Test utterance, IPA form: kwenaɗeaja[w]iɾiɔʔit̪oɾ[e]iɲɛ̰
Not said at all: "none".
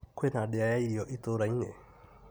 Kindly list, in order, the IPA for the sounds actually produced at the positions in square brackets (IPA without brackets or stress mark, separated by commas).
none, a